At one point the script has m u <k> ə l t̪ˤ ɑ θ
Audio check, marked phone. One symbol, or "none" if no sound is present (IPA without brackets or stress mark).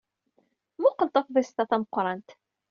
q